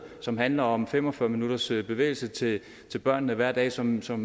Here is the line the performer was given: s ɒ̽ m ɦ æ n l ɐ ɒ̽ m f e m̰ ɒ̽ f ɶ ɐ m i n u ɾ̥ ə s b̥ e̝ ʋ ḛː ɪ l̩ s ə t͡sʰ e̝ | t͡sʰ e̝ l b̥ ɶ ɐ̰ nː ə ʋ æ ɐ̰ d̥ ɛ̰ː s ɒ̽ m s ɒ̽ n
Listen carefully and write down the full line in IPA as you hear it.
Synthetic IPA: s ɒ̽ m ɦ æ n l ɐ ɒ̽ m f e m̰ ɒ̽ f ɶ ɐ m i n u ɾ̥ ɐ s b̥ e̝ ʋ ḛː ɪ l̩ s ə t͡sʰ e̝ | t͡sʰ e̝ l b̥ ɶ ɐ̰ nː ə ʋ æ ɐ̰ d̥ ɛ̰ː s ɒ̽ m s ɒ̽ m